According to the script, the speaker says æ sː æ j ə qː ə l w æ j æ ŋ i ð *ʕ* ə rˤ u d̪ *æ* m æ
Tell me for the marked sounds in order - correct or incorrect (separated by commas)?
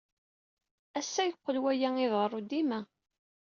incorrect, incorrect